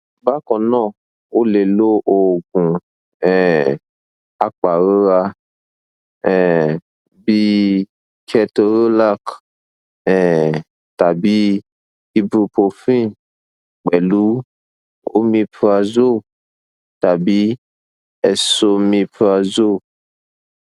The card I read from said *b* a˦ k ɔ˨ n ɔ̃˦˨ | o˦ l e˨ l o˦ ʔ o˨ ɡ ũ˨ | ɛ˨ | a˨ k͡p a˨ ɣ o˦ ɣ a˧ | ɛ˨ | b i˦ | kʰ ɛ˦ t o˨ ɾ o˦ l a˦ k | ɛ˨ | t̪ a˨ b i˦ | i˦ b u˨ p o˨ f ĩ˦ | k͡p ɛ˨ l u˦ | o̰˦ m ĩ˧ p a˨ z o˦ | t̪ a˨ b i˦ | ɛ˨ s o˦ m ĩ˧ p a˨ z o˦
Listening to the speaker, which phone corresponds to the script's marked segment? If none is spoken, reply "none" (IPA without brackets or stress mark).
b